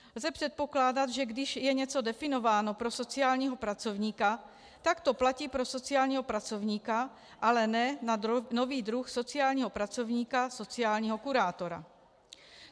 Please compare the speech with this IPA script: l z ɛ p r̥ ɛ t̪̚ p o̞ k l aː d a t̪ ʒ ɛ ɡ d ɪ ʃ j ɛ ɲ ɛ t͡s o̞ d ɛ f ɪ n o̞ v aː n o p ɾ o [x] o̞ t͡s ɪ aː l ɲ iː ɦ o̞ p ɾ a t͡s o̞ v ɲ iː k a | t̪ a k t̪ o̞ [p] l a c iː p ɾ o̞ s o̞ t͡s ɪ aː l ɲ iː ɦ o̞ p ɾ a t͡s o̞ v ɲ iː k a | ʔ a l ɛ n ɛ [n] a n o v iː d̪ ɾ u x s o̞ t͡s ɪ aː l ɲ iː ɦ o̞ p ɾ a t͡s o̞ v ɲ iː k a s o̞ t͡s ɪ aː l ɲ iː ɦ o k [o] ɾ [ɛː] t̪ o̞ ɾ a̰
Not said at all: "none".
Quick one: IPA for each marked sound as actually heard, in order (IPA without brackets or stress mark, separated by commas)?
s, p, n, u, aː